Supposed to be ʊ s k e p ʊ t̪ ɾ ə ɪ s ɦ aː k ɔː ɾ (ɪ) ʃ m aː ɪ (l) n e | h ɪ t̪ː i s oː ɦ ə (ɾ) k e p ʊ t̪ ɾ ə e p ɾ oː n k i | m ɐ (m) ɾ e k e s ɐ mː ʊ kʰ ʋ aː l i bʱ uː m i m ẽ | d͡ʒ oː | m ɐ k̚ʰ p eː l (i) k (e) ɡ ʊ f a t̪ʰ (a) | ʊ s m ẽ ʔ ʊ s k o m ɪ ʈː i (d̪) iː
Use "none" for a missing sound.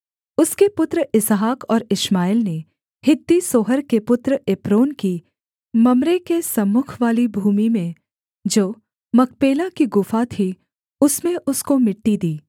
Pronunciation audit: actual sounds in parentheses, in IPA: ɪ, l, ɾ, m, a, i, i, d̪

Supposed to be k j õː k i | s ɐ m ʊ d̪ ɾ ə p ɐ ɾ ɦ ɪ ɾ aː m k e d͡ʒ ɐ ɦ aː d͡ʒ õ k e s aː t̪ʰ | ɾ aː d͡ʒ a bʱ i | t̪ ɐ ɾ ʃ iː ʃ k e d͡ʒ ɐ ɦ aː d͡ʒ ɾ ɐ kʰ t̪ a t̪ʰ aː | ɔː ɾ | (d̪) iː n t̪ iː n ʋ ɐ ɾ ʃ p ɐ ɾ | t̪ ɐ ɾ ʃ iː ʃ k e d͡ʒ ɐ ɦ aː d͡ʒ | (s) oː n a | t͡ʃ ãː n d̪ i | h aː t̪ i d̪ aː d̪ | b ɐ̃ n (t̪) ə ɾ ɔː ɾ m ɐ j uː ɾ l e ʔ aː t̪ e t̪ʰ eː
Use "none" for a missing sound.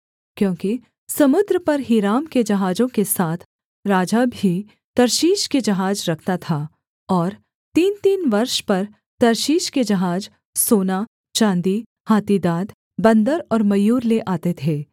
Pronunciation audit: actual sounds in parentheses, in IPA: t̪, s, d̪

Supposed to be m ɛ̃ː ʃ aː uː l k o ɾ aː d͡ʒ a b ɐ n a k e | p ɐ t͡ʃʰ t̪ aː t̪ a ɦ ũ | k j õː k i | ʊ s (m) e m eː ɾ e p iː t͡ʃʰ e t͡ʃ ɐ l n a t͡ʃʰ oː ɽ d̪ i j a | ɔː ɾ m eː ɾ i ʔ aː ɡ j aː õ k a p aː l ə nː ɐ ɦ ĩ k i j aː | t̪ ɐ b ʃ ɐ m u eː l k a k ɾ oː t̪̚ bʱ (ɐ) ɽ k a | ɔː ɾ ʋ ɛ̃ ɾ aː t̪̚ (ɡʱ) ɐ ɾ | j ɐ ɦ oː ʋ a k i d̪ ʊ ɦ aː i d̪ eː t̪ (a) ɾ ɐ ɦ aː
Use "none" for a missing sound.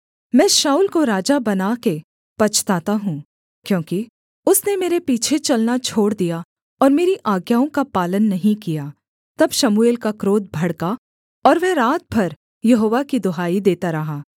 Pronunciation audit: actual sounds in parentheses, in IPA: n, ɐ, bʱ, a

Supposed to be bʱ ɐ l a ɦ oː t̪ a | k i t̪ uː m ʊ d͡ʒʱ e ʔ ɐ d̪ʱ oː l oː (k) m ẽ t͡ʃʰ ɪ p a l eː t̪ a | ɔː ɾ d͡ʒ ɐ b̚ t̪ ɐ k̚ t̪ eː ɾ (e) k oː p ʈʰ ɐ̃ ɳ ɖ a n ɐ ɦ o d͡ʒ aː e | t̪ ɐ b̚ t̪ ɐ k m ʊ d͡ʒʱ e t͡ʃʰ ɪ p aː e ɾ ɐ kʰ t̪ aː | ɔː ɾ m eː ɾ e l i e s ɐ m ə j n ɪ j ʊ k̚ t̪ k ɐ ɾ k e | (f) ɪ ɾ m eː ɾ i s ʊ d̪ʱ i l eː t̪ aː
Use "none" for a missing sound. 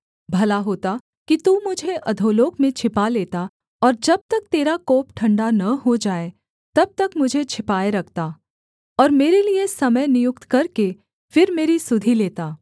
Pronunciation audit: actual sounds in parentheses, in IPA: k, a, f

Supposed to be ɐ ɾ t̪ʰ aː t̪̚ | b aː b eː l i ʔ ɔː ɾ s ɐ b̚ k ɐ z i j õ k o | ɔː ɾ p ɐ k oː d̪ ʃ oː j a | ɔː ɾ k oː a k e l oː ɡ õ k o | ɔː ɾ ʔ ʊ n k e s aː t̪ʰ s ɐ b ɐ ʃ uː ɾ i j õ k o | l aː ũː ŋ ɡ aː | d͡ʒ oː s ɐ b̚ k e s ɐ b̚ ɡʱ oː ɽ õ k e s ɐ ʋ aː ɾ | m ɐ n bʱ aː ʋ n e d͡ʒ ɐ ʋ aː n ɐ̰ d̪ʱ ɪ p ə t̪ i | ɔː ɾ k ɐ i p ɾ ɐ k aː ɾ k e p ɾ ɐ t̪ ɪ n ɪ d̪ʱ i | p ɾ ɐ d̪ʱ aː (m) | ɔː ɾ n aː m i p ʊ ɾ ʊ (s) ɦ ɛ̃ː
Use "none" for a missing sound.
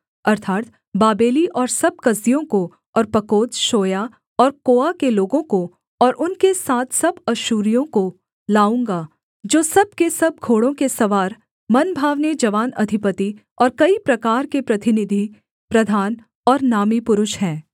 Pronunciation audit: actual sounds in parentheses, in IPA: n, ʃ

